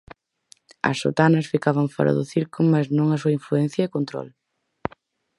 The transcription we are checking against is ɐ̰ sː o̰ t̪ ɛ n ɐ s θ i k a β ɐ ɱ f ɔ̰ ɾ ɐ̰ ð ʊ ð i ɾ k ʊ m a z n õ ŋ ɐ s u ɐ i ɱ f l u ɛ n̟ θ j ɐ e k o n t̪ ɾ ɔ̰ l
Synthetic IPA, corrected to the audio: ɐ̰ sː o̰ t̪ a n ɐ s f i k a β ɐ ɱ f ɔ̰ ɾ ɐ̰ ð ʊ θ i ɾ k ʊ m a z n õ ŋ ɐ s u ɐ i ɱ f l u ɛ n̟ θ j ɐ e k o n t̪ ɾ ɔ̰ l